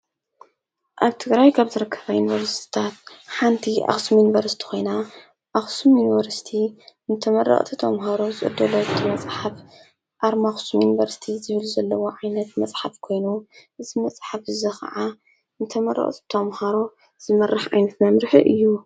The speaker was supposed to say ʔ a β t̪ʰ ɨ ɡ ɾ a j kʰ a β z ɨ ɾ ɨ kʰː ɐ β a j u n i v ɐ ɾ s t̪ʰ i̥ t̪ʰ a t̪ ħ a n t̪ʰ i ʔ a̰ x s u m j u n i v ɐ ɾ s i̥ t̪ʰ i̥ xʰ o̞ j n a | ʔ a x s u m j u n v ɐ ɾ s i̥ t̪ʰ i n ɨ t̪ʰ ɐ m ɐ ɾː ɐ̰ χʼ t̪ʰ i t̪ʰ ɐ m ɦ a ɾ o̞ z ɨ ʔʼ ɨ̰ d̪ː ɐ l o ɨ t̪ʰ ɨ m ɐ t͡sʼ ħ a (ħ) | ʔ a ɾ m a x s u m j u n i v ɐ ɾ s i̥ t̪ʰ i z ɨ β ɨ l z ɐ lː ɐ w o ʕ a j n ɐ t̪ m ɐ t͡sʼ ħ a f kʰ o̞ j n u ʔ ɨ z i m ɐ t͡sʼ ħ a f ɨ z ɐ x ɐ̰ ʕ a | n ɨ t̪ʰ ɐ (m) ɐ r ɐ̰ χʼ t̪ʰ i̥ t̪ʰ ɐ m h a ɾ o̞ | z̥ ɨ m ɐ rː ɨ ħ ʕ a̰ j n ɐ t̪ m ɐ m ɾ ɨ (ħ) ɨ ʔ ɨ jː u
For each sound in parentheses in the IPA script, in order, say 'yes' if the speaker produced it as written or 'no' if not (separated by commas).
no, yes, yes